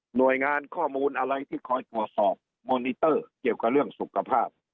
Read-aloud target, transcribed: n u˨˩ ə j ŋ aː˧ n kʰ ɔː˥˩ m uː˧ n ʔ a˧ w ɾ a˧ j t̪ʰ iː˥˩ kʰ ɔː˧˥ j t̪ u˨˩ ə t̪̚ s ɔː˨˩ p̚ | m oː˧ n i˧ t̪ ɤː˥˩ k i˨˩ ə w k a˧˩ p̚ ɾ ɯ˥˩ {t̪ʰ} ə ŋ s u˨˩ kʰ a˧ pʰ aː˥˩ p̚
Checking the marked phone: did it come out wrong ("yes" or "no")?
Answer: yes